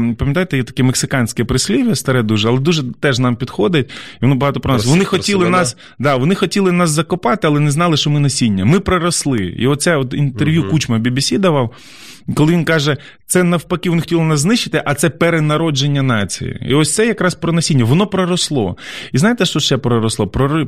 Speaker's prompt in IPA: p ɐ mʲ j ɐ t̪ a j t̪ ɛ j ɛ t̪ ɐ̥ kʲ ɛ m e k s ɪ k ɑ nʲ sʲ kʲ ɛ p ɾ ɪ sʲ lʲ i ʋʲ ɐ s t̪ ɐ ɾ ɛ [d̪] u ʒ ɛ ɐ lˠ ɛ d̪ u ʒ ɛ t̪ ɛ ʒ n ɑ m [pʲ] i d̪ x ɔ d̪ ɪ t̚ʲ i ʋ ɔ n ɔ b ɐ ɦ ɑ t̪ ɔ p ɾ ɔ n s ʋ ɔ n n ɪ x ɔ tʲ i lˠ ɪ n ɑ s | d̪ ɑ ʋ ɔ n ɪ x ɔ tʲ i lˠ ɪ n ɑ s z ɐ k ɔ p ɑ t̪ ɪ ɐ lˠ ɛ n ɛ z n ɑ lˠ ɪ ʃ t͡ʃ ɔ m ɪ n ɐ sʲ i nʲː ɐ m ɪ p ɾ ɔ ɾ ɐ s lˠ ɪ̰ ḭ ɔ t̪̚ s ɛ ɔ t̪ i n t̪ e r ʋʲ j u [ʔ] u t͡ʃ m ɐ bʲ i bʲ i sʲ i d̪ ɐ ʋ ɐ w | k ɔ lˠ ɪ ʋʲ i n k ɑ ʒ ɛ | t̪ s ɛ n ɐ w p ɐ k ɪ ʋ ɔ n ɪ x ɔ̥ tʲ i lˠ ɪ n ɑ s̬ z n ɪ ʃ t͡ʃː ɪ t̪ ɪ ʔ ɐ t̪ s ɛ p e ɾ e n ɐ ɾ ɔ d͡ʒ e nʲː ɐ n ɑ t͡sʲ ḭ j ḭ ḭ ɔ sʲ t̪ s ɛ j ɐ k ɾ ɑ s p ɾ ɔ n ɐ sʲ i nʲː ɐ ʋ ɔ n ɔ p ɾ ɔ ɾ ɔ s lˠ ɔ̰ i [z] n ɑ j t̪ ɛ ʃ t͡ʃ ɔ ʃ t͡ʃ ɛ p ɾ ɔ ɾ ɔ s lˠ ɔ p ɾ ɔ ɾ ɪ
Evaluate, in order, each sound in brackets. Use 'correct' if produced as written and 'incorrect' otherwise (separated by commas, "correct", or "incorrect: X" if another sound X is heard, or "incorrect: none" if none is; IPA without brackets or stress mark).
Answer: correct, correct, incorrect: k, correct